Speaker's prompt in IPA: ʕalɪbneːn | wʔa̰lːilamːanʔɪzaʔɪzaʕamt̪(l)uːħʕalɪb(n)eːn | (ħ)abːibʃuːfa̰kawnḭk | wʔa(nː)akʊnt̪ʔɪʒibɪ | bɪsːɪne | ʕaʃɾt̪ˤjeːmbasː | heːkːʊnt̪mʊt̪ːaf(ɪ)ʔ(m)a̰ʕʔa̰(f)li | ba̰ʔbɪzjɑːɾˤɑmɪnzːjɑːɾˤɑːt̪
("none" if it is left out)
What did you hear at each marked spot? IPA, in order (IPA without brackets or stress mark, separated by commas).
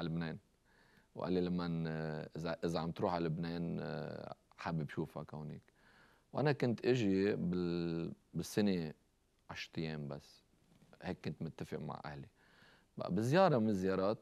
ɾ, n, ħ, n, ɪ, m, h